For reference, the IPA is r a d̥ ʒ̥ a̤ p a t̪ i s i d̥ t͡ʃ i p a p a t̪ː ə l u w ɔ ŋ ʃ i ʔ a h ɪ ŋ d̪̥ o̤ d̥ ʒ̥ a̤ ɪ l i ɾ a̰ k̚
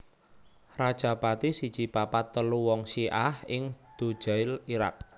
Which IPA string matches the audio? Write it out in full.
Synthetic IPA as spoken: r a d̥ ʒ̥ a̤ p a t̪ i s i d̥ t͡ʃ i p a p a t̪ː ə l u w ɔ ŋ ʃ i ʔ a h ɪ ŋ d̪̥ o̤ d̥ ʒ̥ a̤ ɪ l i ɾ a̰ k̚